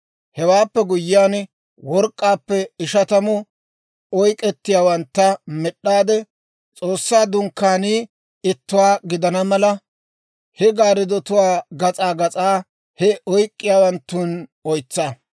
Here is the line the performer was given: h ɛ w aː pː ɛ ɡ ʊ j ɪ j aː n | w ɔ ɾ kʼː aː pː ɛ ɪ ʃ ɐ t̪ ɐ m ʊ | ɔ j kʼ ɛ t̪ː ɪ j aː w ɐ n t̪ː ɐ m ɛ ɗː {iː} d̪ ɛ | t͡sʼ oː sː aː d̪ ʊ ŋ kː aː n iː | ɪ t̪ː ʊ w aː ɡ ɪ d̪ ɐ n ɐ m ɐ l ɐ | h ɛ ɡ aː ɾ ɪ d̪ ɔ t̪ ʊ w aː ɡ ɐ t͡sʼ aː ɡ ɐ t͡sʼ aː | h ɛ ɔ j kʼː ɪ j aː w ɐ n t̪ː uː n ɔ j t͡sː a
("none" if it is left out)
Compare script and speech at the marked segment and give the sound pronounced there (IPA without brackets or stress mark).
aː